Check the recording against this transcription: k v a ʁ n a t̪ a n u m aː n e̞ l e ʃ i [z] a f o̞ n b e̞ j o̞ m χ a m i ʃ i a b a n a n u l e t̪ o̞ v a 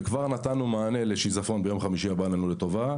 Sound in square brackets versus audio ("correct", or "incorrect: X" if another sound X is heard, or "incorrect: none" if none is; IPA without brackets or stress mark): correct